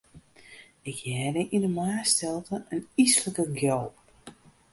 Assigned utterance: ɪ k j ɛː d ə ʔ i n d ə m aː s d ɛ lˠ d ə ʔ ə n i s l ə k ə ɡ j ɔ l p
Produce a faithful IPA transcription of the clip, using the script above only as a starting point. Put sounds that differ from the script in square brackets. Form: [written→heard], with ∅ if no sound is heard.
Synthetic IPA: ɪ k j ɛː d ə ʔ i n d ə m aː s [d→t] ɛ lˠ [d→t] ə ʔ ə n i s l ə k ə ɡ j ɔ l p